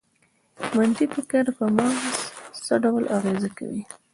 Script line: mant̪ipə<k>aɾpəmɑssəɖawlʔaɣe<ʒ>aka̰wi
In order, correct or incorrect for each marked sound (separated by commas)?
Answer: correct, incorrect